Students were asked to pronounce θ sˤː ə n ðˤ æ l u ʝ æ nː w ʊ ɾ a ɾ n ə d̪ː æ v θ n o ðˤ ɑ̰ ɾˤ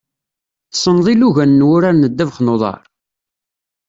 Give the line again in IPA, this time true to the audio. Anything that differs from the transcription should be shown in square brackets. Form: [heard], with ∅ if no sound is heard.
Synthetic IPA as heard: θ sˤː ə n ðˤ [i] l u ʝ æ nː w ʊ ɾ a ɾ n ə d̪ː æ v [χ] n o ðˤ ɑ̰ ɾˤ